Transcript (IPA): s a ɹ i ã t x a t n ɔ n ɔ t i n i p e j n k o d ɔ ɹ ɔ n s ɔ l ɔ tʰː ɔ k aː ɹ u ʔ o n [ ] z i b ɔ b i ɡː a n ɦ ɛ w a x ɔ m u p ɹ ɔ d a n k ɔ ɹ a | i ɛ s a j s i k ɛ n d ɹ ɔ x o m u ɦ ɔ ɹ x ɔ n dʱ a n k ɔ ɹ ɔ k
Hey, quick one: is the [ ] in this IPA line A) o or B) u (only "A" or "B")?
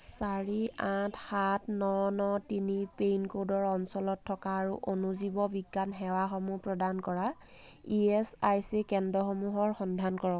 B